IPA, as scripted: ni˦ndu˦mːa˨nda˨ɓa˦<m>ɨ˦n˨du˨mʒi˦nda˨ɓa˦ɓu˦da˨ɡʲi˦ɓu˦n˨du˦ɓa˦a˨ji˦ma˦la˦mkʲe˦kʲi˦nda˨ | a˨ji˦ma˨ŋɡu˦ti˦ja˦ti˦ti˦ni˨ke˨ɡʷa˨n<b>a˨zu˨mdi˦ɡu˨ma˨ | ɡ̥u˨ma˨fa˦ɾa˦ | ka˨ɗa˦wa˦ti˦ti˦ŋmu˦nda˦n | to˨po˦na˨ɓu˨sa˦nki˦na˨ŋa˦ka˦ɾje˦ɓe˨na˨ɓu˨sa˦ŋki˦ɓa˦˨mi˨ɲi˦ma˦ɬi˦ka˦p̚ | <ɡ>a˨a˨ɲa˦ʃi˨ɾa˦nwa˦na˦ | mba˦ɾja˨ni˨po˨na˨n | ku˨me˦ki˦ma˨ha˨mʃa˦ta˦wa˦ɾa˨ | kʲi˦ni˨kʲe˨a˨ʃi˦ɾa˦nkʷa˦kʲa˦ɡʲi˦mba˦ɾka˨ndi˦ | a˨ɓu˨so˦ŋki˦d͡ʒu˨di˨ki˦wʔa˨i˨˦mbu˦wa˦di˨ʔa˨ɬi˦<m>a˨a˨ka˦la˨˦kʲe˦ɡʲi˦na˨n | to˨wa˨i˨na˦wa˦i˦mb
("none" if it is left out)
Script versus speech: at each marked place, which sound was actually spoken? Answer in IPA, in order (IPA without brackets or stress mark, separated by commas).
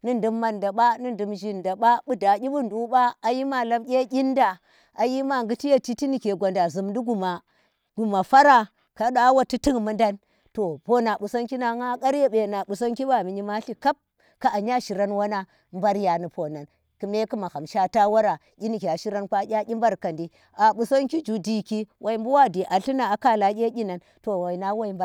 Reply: n, d, k, n